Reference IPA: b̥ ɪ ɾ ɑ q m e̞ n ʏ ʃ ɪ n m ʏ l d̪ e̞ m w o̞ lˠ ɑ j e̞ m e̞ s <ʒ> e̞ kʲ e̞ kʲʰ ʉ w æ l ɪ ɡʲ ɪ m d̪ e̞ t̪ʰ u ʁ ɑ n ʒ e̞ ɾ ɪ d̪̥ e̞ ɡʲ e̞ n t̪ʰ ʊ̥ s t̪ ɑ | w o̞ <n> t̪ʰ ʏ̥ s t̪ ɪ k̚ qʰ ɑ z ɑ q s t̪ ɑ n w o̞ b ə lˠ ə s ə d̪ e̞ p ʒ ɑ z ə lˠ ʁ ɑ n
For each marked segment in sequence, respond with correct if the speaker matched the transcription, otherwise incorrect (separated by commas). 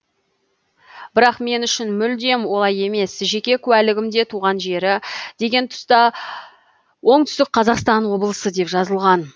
correct, incorrect